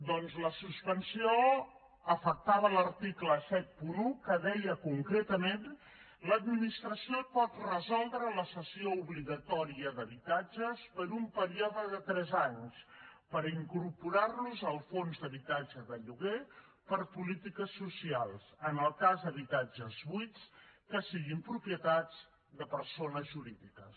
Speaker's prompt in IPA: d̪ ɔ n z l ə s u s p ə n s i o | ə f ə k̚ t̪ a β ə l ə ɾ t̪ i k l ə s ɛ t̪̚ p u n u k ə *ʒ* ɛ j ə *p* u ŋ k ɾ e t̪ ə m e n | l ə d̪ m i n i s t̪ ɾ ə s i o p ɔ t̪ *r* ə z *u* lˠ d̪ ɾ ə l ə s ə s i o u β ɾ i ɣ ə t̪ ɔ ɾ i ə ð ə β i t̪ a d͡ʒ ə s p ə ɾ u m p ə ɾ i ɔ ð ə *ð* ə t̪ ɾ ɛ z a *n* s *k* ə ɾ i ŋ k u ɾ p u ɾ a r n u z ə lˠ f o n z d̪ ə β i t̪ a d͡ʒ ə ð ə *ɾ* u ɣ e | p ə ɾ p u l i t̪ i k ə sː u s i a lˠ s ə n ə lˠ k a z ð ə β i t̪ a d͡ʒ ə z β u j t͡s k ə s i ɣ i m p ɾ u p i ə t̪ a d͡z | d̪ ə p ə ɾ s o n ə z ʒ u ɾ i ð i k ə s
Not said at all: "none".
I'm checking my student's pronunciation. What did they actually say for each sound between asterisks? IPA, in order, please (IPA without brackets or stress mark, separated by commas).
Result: ð, k, r, ɔ, ð, ɲ, p, ʎ